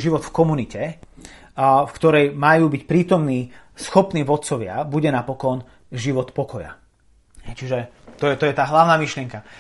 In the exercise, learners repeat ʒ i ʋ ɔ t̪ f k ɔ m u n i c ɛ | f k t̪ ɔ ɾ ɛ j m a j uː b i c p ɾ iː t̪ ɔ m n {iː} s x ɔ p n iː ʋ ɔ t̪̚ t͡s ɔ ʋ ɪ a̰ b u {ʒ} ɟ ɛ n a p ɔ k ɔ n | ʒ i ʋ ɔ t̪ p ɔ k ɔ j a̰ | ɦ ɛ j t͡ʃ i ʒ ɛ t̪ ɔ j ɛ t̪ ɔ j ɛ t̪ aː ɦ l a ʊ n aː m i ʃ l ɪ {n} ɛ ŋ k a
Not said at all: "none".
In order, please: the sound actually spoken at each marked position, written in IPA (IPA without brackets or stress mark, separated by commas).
iː, none, none